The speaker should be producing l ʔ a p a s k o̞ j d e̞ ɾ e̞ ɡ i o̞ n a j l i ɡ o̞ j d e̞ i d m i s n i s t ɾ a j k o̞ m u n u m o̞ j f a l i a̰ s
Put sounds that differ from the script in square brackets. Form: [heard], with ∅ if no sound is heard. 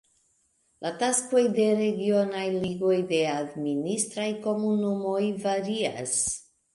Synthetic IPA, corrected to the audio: l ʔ a [t] a s k o̞ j d e̞ ɾ e̞ ɡ i o̞ n a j l i ɡ o̞ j d e̞ [a] d m i [∅] n i s t ɾ a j k o̞ m u n u m o̞ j [v] a [ɾ] i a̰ s